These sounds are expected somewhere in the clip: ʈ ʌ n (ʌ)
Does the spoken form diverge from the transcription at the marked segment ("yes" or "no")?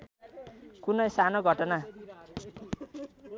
yes